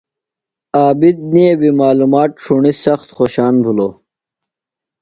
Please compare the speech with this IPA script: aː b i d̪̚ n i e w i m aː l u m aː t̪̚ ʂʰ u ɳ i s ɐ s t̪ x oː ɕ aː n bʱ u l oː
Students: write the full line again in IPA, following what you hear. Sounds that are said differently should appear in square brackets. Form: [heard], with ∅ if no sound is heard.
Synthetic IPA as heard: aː b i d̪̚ n i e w i m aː l u m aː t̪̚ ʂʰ u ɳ i s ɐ [x] t̪ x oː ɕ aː n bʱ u l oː